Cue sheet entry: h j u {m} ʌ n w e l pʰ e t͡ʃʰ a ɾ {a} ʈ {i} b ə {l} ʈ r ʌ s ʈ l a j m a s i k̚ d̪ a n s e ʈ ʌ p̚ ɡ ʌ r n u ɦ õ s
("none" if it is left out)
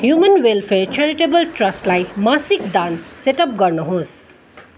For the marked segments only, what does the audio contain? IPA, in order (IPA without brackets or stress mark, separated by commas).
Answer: m, i, e, l